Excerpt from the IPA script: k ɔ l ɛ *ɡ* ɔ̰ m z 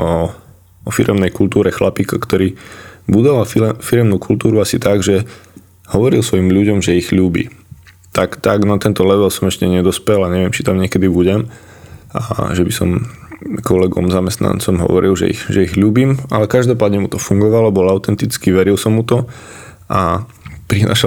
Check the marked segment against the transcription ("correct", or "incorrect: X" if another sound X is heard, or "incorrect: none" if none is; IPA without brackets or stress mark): correct